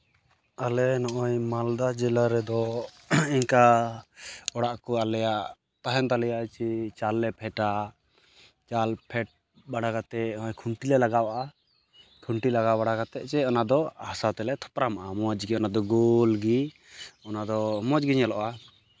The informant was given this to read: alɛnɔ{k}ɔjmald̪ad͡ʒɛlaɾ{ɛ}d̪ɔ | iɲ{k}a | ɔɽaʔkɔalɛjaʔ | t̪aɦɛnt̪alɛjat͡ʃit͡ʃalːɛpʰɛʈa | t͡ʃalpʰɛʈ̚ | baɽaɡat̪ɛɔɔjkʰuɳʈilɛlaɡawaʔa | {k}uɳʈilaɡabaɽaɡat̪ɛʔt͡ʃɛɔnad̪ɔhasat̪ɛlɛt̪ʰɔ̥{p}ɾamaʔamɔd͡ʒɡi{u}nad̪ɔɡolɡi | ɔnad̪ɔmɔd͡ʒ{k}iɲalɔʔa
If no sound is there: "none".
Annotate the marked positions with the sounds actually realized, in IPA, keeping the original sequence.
ʔ, ɛ, k, kʰ, p, ɔ, ɡ

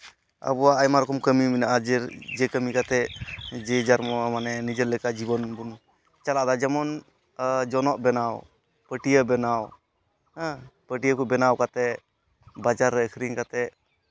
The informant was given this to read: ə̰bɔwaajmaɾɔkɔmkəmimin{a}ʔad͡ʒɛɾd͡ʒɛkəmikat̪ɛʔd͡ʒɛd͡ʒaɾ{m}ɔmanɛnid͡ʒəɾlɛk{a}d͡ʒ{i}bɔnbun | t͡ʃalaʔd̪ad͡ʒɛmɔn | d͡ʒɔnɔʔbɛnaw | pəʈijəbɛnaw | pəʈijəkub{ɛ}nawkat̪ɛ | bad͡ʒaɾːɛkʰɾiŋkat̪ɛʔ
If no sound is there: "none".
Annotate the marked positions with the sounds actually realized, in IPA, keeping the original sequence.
a, m, a, i, ɛ

